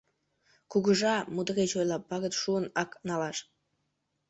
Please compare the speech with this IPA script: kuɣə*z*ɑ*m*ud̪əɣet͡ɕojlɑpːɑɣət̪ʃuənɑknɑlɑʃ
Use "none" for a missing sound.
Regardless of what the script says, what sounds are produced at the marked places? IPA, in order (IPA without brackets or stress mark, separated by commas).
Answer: ʒ, m